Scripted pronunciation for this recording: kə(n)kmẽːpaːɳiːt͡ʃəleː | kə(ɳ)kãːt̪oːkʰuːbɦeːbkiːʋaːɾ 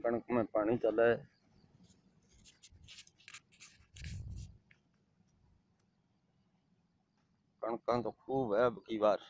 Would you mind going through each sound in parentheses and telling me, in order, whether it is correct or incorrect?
incorrect, correct

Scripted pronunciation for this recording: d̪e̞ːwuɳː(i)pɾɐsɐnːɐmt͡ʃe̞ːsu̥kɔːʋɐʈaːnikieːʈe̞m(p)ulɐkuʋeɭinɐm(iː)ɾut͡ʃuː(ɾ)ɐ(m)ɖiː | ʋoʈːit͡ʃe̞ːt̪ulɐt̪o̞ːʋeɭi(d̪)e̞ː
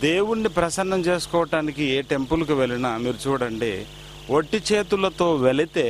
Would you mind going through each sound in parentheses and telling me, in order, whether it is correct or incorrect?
correct, correct, correct, incorrect, incorrect, incorrect

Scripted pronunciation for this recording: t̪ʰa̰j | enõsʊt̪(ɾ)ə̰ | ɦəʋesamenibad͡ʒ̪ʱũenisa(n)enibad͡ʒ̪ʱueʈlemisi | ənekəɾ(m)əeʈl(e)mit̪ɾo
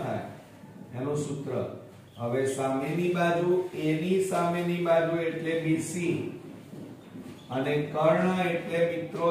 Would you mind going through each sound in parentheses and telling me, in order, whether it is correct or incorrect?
correct, incorrect, incorrect, correct

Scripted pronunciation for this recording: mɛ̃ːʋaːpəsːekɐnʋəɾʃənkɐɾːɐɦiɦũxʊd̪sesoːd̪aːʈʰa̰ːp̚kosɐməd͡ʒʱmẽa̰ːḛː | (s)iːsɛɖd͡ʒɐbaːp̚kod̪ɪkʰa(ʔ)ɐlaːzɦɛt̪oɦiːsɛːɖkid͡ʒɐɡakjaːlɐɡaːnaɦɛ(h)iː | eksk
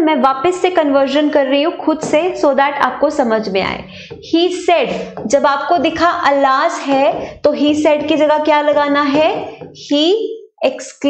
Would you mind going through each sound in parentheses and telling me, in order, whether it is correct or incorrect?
incorrect, correct, correct

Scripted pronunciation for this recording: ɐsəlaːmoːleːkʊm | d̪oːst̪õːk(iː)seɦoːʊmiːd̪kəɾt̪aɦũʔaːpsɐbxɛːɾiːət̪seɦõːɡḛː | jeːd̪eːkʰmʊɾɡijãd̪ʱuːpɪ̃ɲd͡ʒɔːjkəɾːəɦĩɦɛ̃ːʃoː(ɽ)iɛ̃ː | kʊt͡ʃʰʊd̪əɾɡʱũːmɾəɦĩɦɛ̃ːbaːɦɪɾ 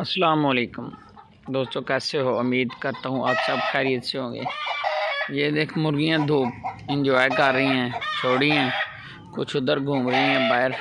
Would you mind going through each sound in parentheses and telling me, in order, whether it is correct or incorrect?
incorrect, correct

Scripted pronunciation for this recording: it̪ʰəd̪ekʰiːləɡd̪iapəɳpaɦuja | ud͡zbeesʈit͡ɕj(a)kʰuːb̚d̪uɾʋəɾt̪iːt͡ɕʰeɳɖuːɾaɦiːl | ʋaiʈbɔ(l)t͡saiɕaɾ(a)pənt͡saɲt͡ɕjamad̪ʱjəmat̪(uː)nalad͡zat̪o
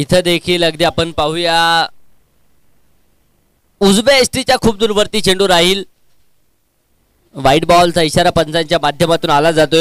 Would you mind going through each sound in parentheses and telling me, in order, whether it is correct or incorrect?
correct, correct, correct, correct

